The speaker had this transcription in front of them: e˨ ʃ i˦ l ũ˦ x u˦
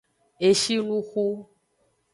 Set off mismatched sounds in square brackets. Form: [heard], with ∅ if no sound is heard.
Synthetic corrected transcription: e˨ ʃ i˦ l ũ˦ x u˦

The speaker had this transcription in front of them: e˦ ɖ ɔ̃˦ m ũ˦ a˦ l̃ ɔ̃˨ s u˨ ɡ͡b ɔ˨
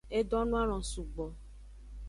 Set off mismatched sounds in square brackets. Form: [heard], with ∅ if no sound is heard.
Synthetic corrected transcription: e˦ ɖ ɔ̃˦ [n] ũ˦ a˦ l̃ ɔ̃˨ s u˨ ɡ͡b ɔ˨

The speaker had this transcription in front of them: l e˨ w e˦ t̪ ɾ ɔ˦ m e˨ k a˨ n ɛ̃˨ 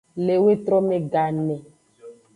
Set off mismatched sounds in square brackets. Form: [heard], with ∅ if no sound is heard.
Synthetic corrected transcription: l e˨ w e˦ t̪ ɾ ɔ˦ m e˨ [ɡ] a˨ n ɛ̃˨

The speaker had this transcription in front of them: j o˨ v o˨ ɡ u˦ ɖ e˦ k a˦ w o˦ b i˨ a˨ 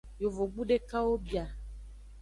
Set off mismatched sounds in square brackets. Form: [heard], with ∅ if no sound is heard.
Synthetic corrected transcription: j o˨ v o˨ [ɡ͡b] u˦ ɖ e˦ k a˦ w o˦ b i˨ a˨

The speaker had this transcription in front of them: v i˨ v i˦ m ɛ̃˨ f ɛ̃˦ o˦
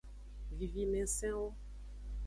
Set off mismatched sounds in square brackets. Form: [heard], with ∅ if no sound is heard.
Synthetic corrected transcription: v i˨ v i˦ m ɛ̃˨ [s] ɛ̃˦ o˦

